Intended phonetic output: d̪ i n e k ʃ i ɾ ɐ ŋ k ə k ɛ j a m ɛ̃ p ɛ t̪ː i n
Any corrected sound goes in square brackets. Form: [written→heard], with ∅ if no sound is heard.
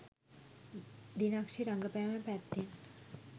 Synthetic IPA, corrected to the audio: d̪ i n [e→a] k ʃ i ɾ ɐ ŋ [k→ɡ] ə [k→p] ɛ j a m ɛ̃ p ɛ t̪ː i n